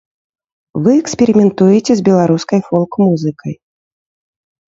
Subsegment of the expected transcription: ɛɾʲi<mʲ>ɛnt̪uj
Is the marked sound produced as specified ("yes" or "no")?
yes